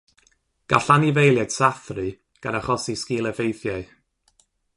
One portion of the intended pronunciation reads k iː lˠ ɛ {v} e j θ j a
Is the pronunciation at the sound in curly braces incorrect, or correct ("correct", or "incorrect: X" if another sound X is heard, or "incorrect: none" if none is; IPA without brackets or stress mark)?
correct